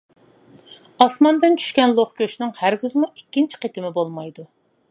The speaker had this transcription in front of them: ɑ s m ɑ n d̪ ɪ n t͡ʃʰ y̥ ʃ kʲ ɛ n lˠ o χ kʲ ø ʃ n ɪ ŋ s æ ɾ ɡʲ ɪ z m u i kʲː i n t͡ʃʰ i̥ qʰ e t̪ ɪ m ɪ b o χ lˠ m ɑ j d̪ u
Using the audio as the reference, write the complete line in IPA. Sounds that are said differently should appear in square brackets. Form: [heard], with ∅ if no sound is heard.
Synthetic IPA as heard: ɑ s m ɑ n d̪ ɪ n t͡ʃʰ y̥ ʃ kʲ ɛ n lˠ o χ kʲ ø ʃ n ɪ ŋ [h] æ ɾ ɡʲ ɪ z m u i kʲː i n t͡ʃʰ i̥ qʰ e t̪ ɪ m ɪ b o [∅] lˠ m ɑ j d̪ u

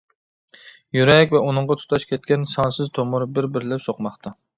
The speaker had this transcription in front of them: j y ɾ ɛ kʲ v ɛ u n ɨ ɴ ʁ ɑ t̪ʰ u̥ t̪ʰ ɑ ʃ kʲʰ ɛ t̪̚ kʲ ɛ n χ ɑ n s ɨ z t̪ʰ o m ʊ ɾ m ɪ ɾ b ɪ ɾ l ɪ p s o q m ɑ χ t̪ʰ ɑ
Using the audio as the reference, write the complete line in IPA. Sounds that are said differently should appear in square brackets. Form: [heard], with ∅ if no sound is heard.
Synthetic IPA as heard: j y ɾ ɛ kʲ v ɛ u n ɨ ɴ ʁ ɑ t̪ʰ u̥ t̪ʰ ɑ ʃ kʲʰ ɛ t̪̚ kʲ ɛ n [s] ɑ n s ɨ z t̪ʰ o m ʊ ɾ [b] ɪ ɾ b ɪ ɾ l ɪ p s o q m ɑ χ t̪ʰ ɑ

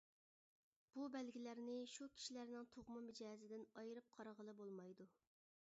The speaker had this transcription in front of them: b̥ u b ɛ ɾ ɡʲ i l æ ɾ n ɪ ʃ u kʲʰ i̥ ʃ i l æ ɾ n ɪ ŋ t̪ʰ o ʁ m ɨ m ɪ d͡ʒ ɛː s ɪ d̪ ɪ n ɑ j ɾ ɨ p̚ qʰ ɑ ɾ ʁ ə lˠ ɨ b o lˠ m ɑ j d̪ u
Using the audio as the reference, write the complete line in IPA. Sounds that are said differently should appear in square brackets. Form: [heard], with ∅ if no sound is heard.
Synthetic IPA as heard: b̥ u b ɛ [l] ɡʲ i l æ ɾ n ɪ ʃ u kʲʰ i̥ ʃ i l æ ɾ n ɪ ŋ t̪ʰ o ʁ m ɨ m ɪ d͡ʒ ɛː [z] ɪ d̪ ɪ n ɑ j ɾ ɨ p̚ qʰ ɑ ɾ ʁ ə lˠ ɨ b o lˠ m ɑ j d̪ u

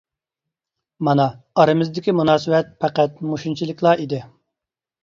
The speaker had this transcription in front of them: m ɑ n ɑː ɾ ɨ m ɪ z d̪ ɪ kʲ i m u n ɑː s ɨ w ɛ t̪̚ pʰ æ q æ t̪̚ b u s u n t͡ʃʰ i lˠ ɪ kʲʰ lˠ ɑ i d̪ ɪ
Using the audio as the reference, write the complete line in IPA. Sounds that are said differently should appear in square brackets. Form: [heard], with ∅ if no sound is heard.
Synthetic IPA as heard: m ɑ n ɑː ɾ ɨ m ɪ z d̪ ɪ kʲ i m u n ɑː s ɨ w ɛ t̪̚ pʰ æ q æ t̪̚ [m] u [ʃ] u n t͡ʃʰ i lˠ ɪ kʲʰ lˠ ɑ i d̪ ɪ

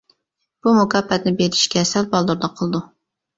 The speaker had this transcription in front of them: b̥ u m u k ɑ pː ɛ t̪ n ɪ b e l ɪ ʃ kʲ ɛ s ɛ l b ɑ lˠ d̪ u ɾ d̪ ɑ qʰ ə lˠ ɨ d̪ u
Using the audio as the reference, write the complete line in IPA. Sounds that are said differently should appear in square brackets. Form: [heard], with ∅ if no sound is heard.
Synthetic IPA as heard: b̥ u m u k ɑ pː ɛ t̪ n ɪ b e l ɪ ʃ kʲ ɛ s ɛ l b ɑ lˠ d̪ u ɾ d̪ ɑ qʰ ə lˠ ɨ d̪ u

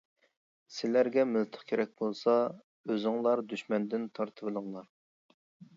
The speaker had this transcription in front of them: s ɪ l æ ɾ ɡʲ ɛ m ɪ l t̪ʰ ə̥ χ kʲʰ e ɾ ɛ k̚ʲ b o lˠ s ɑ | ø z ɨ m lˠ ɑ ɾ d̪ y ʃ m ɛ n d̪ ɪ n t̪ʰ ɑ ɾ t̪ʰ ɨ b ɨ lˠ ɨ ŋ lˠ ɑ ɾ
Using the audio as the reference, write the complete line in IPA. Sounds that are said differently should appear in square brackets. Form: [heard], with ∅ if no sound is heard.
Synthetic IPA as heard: s ɪ l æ ɾ ɡʲ ɛ m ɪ l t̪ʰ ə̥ χ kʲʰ e ɾ ɛ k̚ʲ b o lˠ s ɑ | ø z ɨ [ŋ] lˠ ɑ ɾ d̪ y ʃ m ɛ n d̪ ɪ n t̪ʰ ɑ ɾ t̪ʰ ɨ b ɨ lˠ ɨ ŋ lˠ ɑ ɾ

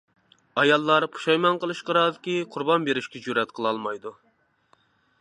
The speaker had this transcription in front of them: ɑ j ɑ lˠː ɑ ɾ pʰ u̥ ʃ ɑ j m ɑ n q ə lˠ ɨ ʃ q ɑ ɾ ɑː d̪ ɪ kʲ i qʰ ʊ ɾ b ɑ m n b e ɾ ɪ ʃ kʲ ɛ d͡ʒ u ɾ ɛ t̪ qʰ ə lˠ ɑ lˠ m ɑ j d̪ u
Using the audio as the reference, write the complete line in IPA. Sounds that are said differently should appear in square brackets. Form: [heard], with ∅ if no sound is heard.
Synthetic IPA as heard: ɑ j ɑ lˠː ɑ ɾ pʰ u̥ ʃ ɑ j m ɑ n q ə lˠ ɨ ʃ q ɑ ɾ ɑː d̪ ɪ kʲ i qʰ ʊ ɾ b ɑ [∅] n b e ɾ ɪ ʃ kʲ ɛ d͡ʒ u ɾ ɛ t̪ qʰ ə lˠ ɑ lˠ m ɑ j d̪ u

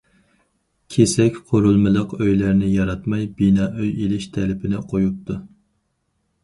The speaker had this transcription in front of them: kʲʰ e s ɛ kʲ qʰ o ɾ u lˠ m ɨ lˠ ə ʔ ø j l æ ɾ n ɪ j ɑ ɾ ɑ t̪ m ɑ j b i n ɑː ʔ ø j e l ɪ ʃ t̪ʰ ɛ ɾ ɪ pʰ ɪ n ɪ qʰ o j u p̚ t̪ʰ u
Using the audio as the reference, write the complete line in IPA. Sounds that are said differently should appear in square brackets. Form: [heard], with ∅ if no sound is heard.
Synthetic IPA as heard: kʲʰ e s ɛ kʲ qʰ o ɾ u lˠ m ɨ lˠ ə [q] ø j l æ ɾ n ɪ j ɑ ɾ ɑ t̪ m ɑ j b i n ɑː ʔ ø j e l ɪ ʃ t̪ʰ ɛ [l] ɪ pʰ ɪ n ɪ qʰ o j u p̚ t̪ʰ u

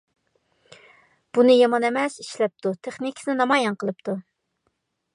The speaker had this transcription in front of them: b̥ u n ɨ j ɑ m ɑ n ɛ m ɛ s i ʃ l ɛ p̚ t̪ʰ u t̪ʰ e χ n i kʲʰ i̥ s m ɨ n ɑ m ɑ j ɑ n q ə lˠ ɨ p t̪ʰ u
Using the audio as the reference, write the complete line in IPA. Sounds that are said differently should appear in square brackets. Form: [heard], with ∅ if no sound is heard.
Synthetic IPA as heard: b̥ u n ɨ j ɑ m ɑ n ɛ m ɛ s i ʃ l ɛ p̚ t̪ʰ u t̪ʰ e χ n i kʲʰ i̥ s [n] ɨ n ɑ m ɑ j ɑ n q ə lˠ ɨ p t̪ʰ u

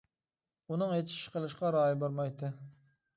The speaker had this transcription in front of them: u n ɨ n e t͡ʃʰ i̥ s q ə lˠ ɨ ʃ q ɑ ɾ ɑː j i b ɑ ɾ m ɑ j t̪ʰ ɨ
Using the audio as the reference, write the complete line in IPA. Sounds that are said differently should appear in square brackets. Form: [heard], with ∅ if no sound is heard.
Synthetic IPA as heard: u n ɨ [ŋ] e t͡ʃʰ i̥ [ʃ] q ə lˠ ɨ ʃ q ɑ ɾ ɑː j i b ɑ ɾ m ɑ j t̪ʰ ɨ

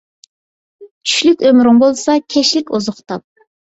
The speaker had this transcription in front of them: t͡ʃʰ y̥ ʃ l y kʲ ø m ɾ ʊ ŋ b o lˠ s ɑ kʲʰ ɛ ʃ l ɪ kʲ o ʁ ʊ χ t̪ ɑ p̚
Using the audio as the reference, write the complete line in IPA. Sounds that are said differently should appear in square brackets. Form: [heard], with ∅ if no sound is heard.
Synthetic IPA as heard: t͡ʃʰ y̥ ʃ l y kʲ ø m ɾ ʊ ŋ b o lˠ s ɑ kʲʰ ɛ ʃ l ɪ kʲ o [z] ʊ χ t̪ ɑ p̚

